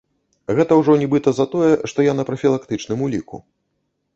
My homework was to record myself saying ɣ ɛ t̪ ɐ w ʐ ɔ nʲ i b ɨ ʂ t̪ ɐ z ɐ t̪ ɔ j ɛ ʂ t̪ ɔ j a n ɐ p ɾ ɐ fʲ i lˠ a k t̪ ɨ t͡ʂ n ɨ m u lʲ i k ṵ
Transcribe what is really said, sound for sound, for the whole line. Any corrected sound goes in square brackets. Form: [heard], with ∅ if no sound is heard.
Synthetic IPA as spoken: ɣ ɛ t̪ ɐ w ʐ ɔ nʲ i b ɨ [∅] t̪ ɐ z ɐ t̪ ɔ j ɛ ʂ t̪ ɔ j a n ɐ p ɾ ɐ fʲ i lˠ a k t̪ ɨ t͡ʂ n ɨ m u lʲ i k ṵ